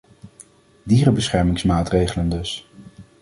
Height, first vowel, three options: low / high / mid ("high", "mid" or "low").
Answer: high